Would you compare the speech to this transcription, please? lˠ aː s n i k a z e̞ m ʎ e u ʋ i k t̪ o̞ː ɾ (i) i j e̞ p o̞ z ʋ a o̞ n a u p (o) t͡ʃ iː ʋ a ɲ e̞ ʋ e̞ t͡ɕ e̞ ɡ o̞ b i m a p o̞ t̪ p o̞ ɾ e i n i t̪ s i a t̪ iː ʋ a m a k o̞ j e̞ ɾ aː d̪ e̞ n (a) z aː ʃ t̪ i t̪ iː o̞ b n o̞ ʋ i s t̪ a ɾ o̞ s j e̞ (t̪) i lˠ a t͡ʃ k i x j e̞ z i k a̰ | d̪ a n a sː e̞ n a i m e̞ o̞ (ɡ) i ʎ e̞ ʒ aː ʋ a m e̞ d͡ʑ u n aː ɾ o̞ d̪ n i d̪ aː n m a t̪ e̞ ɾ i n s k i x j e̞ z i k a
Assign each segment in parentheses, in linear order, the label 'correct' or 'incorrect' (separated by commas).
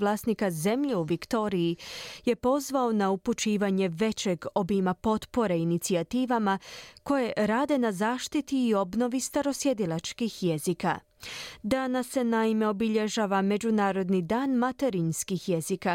correct, incorrect, correct, incorrect, incorrect